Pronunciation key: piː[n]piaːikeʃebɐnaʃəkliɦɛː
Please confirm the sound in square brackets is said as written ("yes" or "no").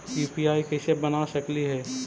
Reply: no